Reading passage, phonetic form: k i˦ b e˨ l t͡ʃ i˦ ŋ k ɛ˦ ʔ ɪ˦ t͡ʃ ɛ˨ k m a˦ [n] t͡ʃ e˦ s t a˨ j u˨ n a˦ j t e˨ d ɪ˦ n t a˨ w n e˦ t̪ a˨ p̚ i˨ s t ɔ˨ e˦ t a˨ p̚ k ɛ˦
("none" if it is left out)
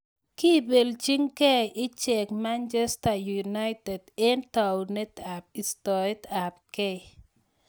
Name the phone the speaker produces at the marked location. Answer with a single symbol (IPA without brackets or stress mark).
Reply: n